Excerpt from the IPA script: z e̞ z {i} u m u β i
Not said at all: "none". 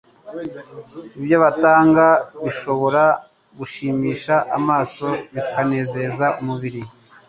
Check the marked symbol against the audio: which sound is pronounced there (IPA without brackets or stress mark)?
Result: a